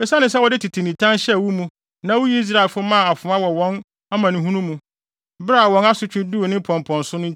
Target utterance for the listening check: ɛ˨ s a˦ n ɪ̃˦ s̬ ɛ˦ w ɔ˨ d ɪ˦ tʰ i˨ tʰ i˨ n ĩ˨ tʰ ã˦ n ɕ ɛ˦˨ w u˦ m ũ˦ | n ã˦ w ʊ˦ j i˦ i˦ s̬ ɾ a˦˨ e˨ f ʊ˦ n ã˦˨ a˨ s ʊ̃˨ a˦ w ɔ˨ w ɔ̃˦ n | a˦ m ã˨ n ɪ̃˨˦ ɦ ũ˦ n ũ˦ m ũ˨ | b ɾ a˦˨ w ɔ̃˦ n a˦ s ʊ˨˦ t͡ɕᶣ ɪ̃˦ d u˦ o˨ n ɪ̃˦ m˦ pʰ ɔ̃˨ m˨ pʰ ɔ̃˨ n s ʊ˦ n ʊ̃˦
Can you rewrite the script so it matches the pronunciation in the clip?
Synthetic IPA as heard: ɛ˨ s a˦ n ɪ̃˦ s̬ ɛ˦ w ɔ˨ d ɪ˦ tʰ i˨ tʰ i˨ n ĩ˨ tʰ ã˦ n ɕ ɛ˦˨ w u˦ m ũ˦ | n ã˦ w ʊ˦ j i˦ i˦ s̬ ɾ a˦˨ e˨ f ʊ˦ m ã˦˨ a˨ f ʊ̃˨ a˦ w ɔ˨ w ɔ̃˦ n | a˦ m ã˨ n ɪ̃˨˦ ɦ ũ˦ n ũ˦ m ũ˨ | b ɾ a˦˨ w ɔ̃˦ n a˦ s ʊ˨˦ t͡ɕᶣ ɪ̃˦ d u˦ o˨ n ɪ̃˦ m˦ pʰ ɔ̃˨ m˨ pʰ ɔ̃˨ n s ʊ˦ n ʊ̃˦